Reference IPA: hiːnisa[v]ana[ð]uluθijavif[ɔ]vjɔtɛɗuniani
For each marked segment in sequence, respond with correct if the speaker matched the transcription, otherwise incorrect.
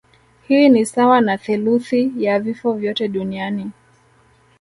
incorrect: w, incorrect: θ, correct

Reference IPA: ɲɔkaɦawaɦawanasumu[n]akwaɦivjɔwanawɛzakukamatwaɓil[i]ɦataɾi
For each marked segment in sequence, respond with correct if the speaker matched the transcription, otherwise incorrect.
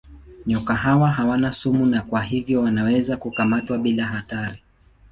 correct, incorrect: a

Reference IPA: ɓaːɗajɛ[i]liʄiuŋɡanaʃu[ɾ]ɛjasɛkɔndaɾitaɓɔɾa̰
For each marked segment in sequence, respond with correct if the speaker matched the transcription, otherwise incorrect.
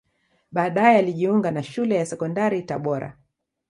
incorrect: a, incorrect: l

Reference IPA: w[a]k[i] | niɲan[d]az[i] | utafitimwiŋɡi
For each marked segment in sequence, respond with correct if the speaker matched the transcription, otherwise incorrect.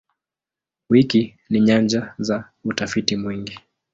incorrect: i, correct, incorrect: d͡ʒ, incorrect: a

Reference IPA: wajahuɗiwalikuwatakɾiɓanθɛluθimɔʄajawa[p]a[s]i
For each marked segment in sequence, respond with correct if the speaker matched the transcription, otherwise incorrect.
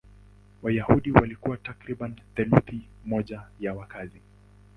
incorrect: k, incorrect: z

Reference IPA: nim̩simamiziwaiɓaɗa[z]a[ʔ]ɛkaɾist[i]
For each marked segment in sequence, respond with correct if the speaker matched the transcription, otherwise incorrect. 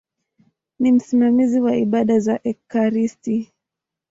correct, correct, correct

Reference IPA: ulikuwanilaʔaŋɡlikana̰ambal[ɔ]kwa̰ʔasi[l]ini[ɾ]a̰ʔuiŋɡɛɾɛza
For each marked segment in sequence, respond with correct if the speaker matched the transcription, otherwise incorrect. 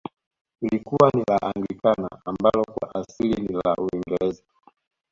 correct, correct, incorrect: l

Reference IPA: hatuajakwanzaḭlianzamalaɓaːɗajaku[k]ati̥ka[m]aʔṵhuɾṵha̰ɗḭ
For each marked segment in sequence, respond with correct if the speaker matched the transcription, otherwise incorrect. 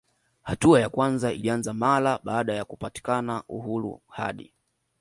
incorrect: p, incorrect: n

